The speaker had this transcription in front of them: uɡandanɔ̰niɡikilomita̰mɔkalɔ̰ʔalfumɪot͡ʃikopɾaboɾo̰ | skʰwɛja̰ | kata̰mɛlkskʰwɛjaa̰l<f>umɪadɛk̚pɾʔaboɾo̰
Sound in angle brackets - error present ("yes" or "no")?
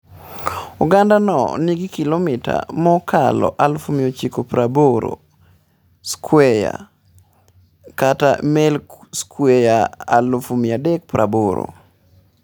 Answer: no